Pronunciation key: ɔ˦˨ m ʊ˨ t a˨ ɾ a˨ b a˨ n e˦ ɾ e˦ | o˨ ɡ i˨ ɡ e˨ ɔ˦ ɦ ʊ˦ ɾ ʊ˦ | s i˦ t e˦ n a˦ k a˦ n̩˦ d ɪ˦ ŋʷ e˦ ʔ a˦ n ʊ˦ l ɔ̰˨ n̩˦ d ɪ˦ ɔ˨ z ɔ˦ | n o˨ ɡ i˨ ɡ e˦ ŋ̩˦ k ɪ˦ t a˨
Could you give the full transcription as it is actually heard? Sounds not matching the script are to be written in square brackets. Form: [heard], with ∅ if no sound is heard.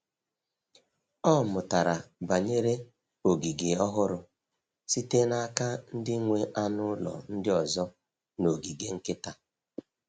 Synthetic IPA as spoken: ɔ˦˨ m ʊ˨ t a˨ ɾ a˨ b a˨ [ɲ] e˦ ɾ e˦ | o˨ ɡ i˨ ɡ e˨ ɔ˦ ɦ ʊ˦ ɾ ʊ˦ | s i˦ t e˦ n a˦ k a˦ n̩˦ d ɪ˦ ŋʷ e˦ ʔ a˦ n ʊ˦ l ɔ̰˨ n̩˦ d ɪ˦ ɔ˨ z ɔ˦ | n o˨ ɡ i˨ ɡ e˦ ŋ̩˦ k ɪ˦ t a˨